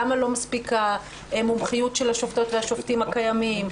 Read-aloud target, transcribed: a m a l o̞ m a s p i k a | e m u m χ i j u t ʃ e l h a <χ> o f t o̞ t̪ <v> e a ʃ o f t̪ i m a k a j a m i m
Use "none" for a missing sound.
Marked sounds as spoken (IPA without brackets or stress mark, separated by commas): ʃ, v